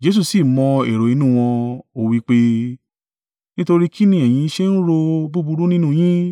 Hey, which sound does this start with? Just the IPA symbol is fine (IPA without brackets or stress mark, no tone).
d͡ʒ